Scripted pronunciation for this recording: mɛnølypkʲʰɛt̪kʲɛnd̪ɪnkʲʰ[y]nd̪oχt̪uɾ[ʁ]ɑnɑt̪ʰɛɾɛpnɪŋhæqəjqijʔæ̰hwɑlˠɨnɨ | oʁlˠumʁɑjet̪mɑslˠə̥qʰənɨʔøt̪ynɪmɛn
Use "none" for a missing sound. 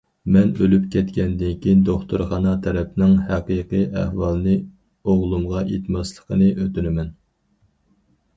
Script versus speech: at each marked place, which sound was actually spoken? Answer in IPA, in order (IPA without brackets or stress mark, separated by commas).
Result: i, χ